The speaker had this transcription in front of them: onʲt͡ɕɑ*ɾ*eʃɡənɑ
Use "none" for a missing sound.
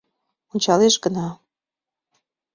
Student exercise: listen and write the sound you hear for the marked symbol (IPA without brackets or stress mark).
l